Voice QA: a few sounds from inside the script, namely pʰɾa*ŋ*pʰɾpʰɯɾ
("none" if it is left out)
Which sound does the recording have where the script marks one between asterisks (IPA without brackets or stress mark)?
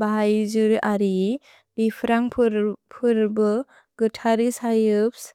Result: ŋ